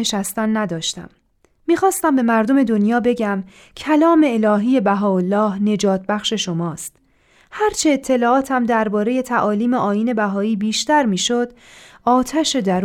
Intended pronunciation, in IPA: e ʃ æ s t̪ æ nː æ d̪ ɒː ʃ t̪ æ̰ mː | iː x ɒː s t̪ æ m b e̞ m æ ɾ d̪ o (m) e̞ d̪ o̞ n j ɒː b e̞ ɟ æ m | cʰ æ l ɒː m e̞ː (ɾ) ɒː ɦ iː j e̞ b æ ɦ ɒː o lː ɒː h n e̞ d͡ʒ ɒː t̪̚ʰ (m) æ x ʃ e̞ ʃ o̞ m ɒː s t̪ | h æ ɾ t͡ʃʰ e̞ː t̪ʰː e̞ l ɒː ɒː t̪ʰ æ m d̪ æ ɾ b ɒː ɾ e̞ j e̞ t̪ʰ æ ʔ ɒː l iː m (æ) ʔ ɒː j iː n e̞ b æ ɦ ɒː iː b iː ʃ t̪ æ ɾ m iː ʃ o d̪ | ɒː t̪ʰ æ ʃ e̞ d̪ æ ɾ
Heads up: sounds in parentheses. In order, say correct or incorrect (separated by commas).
correct, incorrect, incorrect, incorrect